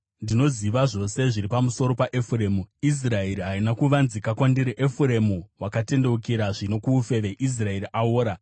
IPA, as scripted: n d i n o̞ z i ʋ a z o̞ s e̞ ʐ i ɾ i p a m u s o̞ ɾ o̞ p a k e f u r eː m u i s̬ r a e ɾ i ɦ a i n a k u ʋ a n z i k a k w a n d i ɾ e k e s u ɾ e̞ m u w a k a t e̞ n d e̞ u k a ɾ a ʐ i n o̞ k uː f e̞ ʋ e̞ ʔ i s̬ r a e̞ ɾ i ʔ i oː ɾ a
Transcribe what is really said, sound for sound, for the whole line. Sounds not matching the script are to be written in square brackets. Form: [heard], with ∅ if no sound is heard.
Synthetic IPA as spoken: n d i n o̞ z i ʋ a [ʐ] o̞ s e̞ ʐ i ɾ i p a m u s o̞ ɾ o̞ p a [ʔ] e f u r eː m u i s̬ r a e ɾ i ɦ a i n a k u ʋ a n z i k a k w a n d i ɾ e [ʔ] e [f] u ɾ e̞ m u w a k a t e̞ n d e̞ u k [i] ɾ a ʐ i n o̞ k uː f e̞ ʋ e̞ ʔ i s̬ r a e̞ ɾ i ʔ [a] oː ɾ a